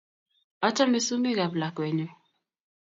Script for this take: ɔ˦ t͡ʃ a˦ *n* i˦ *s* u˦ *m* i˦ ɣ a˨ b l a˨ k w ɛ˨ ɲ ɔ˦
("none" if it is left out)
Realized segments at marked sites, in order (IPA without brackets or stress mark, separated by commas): m, s, m